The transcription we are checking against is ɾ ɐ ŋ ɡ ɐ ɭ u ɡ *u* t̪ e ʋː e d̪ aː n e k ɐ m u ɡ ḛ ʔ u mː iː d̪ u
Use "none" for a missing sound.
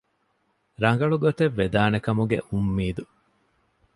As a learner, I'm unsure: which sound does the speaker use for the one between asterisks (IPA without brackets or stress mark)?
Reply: o